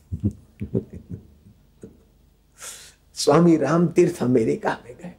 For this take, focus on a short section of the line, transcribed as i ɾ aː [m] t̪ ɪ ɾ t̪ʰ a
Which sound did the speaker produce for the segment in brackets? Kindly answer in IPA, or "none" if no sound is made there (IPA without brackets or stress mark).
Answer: m